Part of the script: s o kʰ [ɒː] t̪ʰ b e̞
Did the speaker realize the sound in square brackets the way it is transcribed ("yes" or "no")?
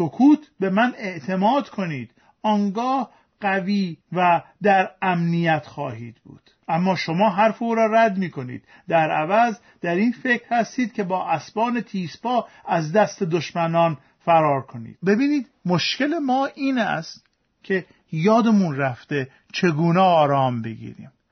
no